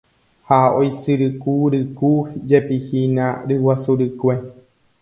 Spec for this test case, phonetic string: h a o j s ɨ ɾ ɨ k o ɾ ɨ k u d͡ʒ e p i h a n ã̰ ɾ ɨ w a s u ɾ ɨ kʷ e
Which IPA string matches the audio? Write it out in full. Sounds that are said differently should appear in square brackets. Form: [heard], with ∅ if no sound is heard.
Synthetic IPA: h a o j s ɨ ɾ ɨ k [u] ɾ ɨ k u d͡ʒ e p i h [i] n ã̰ ɾ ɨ w a s u ɾ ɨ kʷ e

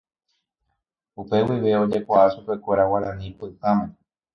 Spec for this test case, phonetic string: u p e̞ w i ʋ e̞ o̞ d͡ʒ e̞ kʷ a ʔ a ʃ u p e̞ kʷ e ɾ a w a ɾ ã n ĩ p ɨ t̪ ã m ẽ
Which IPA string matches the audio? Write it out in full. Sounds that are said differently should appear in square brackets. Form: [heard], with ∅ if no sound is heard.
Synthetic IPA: u p e̞ w i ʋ e̞ o̞ d͡ʒ e̞ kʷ a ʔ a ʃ u p e̞ kʷ e ɾ a w a ɾ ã n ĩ p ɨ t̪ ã m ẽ

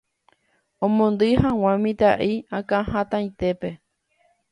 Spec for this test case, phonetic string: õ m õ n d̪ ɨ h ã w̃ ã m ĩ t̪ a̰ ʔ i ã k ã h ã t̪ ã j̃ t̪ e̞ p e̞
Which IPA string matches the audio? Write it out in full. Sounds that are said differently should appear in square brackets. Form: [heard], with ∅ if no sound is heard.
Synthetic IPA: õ m õ n d̪ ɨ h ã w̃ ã m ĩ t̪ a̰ ʔ i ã k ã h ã t̪ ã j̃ t̪ e̞ p e̞

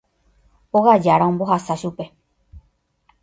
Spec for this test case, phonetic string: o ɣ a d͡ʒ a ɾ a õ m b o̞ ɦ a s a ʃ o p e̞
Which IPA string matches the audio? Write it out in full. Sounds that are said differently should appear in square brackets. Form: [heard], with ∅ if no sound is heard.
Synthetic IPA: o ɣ a d͡ʒ a ɾ a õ m b o̞ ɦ a s a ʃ [u] p e̞

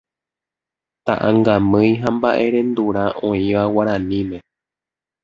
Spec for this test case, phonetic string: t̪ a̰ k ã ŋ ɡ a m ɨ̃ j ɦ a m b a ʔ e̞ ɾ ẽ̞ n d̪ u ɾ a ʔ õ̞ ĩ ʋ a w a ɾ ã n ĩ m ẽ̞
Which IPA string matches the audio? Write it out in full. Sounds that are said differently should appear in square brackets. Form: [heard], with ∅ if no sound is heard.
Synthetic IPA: t̪ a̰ [ʔ] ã ŋ ɡ a m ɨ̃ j ɦ a m b a ʔ e̞ ɾ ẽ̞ n d̪ u ɾ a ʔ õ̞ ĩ ʋ a w a ɾ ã n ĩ m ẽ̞

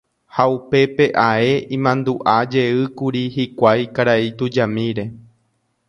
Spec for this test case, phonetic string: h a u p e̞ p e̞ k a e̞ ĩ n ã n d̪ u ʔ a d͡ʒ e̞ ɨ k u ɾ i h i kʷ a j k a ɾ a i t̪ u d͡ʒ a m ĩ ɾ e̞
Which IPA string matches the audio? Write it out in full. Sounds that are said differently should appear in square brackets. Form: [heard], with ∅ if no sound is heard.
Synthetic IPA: h a u p e̞ p e̞ [ʔ] a e̞ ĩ [m] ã n d̪ u ʔ a d͡ʒ e̞ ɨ k u ɾ i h i kʷ a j k a ɾ a i t̪ u d͡ʒ a m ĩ ɾ e̞

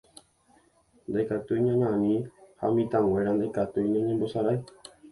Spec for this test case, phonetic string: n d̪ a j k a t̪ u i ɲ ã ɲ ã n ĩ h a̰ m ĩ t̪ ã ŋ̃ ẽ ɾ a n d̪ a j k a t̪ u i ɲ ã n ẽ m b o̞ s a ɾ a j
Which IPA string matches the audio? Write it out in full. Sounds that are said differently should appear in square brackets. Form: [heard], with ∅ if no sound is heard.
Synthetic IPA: n d̪ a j k a t̪ u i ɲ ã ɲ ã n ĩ h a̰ m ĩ t̪ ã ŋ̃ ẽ ɾ a n d̪ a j k a t̪ u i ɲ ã [ɲ] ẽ m b o̞ s a ɾ a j

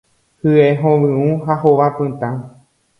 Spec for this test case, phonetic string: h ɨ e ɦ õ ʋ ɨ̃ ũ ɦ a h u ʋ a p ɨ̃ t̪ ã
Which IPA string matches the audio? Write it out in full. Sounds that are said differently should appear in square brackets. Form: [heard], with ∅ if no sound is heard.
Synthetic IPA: h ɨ e ɦ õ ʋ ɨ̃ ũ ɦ a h [o] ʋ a p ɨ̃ t̪ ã

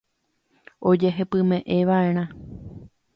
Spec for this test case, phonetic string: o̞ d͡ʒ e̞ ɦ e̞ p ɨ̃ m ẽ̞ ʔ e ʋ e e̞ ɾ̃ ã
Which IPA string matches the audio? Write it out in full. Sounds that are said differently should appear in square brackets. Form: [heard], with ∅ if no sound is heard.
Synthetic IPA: o̞ d͡ʒ e̞ ɦ e̞ p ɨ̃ m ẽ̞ ʔ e ʋ [a] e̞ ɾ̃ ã

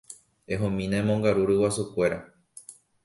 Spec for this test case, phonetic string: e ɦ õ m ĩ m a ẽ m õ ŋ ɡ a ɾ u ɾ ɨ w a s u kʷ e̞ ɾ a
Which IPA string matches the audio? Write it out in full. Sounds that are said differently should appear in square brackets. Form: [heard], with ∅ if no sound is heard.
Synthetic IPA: e ɦ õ m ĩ [n] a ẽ m õ ŋ ɡ a ɾ u ɾ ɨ w a s u kʷ e̞ ɾ a

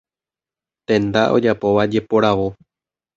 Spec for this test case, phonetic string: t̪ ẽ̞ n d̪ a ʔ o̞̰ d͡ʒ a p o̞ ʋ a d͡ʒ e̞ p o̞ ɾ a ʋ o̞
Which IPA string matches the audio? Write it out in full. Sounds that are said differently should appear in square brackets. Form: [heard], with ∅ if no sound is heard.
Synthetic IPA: t̪ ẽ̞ n d̪ a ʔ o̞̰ d͡ʒ a p o̞ ʋ a d͡ʒ e̞ p o̞ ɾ a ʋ o̞

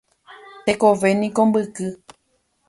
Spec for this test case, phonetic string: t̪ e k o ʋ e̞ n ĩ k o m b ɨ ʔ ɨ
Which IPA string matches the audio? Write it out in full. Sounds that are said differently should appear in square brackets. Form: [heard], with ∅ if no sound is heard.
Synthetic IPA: t̪ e k o ʋ e̞ n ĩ k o m b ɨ [k] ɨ

